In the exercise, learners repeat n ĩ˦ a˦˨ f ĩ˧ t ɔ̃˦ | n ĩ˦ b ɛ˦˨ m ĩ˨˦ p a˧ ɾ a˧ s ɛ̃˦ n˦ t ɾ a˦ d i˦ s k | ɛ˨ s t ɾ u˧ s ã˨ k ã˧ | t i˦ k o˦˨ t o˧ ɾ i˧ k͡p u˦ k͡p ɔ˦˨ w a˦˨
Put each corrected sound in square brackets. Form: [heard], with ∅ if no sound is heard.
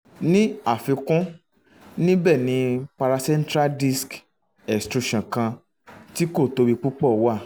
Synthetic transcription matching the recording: n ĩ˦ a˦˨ f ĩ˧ [k] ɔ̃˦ | n ĩ˦ b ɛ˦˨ [n] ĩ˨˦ p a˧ ɾ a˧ s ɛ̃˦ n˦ t ɾ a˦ d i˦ s k | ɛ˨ s t ɾ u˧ [ʃ] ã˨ k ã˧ | t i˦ k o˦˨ t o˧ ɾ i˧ k͡p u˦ k͡p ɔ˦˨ w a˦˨